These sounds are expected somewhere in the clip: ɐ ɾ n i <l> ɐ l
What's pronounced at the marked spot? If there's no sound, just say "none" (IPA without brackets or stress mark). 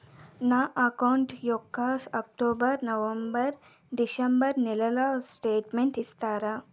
l